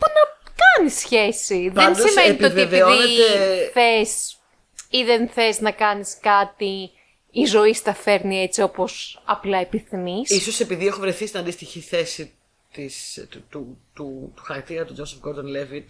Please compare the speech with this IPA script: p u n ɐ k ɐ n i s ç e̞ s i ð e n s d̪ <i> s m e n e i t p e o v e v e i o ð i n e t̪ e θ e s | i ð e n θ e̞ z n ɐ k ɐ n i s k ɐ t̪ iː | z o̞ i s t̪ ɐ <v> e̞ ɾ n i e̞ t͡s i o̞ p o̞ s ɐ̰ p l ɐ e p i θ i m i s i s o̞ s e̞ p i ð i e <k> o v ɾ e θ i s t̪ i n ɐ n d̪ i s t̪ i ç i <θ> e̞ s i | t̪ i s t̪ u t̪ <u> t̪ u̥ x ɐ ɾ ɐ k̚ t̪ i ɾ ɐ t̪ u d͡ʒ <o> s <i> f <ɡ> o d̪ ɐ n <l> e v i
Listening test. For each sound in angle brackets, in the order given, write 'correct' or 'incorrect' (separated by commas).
correct, incorrect, incorrect, correct, correct, correct, incorrect, correct, correct